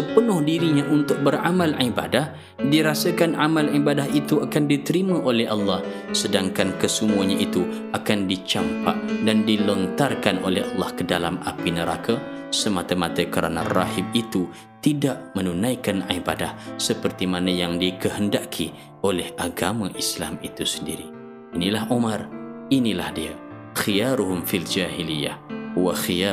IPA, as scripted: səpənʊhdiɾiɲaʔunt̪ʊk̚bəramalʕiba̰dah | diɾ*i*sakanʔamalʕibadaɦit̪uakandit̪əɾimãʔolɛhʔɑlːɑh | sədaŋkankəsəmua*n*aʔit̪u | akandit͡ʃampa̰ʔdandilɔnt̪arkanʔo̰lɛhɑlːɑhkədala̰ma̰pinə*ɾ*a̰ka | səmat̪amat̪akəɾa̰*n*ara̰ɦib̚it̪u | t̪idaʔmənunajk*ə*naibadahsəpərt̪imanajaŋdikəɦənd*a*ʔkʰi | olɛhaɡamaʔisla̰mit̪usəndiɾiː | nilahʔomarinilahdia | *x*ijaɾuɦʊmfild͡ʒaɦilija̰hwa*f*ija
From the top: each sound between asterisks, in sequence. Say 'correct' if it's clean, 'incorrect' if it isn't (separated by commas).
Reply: incorrect, incorrect, correct, correct, incorrect, correct, correct, incorrect